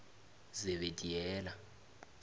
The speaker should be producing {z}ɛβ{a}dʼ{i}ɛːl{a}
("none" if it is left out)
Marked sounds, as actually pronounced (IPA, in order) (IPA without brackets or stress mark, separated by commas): z, e, i, a